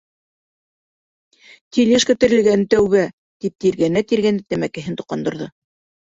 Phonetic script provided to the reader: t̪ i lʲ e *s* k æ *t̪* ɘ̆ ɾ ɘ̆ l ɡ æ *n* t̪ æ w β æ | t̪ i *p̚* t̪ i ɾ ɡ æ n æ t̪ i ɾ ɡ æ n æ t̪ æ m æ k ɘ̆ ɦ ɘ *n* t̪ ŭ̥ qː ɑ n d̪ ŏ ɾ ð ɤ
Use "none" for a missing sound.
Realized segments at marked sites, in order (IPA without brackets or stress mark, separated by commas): ʃ, t̪, n, p̚, n